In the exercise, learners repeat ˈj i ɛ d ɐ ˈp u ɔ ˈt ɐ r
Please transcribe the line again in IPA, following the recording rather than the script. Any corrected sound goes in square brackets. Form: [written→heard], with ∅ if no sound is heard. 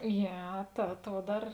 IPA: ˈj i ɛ [d→t] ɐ [ˈp→ˈt] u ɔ [ˈt→ˈd] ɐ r